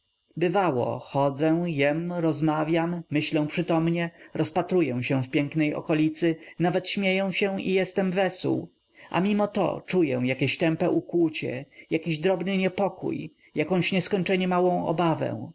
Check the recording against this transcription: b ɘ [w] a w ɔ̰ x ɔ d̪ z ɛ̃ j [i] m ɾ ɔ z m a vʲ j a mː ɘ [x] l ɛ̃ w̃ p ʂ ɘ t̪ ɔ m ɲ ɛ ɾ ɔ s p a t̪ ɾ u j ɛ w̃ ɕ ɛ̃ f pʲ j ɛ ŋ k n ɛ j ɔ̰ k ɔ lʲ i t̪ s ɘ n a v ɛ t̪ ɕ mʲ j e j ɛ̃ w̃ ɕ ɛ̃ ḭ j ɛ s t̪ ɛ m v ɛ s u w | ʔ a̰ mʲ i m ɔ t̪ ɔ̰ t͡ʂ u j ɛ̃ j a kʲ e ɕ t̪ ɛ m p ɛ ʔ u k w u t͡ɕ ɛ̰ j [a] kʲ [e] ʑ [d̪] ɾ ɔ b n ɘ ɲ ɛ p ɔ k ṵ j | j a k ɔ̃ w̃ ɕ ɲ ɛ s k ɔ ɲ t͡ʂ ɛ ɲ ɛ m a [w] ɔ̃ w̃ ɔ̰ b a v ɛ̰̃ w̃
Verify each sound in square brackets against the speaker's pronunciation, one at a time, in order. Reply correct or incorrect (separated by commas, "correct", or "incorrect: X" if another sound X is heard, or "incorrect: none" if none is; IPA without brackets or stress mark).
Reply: incorrect: v, incorrect: ɛ, incorrect: ɕ, correct, incorrect: i, correct, correct